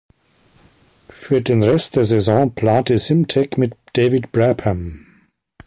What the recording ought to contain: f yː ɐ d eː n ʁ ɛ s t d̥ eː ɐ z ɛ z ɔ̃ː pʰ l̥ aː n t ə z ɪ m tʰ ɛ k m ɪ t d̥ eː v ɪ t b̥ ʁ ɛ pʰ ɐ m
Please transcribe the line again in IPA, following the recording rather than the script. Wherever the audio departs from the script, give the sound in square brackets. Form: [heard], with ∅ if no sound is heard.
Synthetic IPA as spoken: f yː ɐ d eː n ʁ ɛ s t d̥ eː ɐ z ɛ z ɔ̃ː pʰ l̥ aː n t ə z ɪ m tʰ ɛ k m ɪ t d̥ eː v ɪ t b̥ ʁ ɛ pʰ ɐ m